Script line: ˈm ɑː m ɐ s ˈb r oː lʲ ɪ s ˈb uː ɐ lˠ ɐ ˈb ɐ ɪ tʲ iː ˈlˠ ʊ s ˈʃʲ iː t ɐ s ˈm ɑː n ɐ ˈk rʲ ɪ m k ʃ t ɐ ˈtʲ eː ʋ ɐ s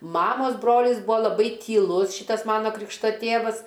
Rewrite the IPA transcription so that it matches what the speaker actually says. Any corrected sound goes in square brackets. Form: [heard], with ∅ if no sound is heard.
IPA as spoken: ˈm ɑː m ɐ s ˈb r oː lʲ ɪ s ˈb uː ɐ lˠ ɐ ˈb ɐ ɪ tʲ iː ˈlˠ ʊ s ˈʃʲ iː t ɐ s ˈm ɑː n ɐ ˈk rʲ ɪ [∅] k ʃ t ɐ ˈtʲ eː ʋ ɐ s

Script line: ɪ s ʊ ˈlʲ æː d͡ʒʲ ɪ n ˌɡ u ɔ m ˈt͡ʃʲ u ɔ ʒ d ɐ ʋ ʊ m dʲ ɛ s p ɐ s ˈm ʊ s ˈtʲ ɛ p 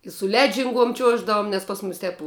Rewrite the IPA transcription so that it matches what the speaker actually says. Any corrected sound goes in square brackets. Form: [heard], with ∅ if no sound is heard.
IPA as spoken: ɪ s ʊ ˈlʲ æː d͡ʒʲ ɪ [ŋ] ˌɡ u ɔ m ˈt͡ʃʲ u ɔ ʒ d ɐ ʋ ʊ m [nʲ] ɛ s p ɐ s ˈm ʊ s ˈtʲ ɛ p

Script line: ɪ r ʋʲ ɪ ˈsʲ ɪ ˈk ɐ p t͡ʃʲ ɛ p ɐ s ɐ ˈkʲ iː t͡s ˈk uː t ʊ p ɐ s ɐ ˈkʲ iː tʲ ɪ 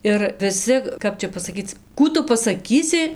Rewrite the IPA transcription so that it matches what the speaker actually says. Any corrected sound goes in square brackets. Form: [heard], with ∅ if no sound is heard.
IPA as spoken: ɪ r ʋʲ ɪ ˈsʲ ɪ ˈk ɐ p t͡ʃʲ ɛ p ɐ s ɐ ˈkʲ iː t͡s ˈk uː t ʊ p ɐ s ɐ ˈkʲ iː [sʲ] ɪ

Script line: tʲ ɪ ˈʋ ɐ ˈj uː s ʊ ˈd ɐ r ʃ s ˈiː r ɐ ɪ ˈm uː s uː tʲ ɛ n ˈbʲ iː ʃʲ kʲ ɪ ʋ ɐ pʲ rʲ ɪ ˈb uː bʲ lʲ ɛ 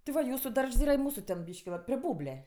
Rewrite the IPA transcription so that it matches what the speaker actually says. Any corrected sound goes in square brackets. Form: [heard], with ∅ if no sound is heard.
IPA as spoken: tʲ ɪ ˈʋ ɐ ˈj uː s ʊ ˈd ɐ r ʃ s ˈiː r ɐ ɪ ˈm uː s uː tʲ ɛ n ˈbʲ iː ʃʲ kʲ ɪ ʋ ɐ pʲ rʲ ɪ ˈb uː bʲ lʲ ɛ

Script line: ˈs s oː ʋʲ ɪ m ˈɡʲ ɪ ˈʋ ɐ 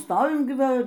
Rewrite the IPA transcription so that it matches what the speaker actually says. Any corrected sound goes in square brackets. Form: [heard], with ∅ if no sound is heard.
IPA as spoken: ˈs [t] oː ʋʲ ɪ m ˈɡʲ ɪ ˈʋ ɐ

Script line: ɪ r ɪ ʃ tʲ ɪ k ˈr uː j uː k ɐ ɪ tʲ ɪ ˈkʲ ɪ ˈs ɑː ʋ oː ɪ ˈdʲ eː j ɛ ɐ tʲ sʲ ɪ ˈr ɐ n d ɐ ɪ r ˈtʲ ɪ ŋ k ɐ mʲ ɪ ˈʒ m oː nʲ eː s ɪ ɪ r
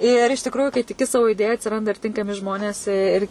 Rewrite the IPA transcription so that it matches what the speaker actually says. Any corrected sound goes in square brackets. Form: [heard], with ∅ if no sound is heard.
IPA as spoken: ɪ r ɪ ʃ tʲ ɪ k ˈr uː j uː k ɐ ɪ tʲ ɪ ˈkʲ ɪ ˈs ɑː ʋ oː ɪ ˈdʲ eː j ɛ ɐ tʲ sʲ ɪ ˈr ɐ n d ɐ ɪ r ˈtʲ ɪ ŋ k ɐ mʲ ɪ ˈʒ m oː nʲ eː s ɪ ɪ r

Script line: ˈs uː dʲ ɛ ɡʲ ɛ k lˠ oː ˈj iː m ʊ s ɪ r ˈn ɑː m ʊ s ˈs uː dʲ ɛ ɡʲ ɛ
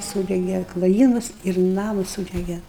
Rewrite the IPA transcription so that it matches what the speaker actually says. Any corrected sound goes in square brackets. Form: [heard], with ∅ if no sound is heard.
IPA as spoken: ˈs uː dʲ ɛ ɡʲ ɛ k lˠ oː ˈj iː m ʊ s ɪ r ˈn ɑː m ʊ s ˈs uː dʲ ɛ ɡʲ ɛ

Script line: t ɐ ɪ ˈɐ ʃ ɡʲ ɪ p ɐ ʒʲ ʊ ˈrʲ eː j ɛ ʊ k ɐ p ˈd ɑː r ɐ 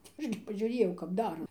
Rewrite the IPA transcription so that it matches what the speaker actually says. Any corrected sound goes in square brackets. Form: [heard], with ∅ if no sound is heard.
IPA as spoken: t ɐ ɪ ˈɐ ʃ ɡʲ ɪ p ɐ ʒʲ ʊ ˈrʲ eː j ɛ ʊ k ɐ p ˈd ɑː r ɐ

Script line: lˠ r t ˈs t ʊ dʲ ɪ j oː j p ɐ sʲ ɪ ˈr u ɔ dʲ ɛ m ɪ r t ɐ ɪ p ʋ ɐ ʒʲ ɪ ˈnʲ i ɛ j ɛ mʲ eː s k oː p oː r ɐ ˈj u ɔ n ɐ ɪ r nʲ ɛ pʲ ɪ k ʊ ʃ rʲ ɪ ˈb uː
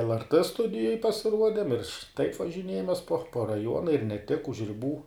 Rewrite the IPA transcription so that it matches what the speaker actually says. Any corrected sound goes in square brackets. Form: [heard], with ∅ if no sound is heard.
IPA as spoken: lˠ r t ˈs t ʊ dʲ ɪ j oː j p ɐ sʲ ɪ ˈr u ɔ dʲ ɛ m ɪ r t ɐ ɪ p ʋ ɐ ʒʲ ɪ ˈnʲ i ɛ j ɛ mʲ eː s [p] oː p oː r ɐ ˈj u ɔ n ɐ ɪ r nʲ ɛ [tʲ] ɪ k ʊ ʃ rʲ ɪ ˈb uː

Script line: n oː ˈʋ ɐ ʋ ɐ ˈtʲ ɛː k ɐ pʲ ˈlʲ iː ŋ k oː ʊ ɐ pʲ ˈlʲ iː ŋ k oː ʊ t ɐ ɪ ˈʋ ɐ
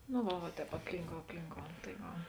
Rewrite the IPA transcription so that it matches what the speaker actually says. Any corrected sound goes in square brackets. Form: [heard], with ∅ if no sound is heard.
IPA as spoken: n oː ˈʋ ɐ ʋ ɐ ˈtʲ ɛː [p] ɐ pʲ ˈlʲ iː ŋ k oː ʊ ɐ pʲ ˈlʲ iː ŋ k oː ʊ t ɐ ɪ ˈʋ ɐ

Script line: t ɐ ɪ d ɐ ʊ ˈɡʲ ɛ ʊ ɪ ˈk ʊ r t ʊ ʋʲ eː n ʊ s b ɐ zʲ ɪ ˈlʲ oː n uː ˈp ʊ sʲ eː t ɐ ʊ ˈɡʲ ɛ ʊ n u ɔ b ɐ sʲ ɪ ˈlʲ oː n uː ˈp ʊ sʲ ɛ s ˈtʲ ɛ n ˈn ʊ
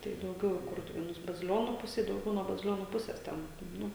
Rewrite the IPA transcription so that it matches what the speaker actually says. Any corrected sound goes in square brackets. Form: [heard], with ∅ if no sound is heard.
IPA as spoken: t ɐ ɪ d ɐ ʊ ˈɡʲ ɛ ʊ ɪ ˈk ʊ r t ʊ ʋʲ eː n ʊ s b ɐ zʲ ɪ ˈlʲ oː n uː ˈp ʊ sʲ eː [d] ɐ ʊ ˈɡʲ ɛ ʊ n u ɔ b ɐ [zʲ] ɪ ˈlʲ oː n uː ˈp ʊ sʲ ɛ s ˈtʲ ɛ n ˈn ʊ

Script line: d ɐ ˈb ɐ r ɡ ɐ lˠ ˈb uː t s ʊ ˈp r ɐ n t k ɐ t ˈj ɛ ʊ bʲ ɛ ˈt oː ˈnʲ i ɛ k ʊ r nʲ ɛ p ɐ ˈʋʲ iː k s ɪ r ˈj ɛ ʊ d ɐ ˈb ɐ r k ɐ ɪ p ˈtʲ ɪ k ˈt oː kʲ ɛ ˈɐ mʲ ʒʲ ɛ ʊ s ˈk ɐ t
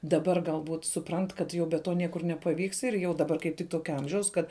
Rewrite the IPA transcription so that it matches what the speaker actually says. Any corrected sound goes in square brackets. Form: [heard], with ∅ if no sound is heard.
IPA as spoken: d ɐ ˈb ɐ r ɡ ɐ lˠ ˈb uː t s ʊ ˈp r ɐ n t k ɐ t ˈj ɛ ʊ bʲ ɛ ˈt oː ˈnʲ i ɛ k ʊ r nʲ ɛ p ɐ ˈʋʲ iː k s ɪ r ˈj ɛ ʊ d ɐ ˈb ɐ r k ɐ ɪ p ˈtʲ ɪ k ˈt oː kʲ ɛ ˈɐ mʲ ʒʲ ɛ ʊ s ˈk ɐ t

